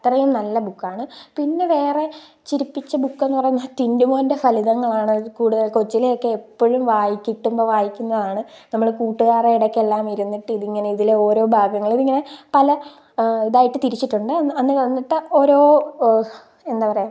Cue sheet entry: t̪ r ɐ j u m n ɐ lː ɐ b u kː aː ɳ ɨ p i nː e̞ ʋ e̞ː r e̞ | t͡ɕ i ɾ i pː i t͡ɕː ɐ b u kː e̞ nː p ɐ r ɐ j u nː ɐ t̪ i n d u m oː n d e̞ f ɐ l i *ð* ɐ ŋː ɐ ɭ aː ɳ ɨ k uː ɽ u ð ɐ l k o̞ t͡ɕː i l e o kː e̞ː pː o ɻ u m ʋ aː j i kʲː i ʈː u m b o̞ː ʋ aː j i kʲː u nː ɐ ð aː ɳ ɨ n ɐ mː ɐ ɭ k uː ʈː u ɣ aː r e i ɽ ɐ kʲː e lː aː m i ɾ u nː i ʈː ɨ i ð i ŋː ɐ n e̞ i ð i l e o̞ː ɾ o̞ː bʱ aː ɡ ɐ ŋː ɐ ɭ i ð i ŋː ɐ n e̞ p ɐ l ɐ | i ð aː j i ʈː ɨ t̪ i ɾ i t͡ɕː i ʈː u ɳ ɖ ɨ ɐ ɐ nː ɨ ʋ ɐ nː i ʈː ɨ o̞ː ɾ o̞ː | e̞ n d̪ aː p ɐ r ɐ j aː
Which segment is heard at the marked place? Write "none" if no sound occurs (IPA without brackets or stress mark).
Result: ð